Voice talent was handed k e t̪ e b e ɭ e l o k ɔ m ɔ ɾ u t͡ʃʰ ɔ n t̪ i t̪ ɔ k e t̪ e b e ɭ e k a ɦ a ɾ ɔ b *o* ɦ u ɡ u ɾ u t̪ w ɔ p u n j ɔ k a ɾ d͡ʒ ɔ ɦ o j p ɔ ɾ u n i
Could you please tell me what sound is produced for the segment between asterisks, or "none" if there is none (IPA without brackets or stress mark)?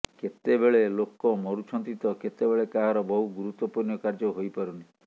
ɔ